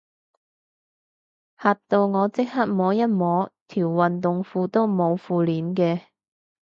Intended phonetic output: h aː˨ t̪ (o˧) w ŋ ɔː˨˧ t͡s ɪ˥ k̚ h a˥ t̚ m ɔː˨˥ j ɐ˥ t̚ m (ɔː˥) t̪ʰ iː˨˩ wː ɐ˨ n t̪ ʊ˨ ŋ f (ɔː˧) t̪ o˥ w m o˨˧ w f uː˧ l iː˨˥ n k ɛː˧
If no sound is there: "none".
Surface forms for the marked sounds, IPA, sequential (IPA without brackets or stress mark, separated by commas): o˧, ɔː˨˥, uː˧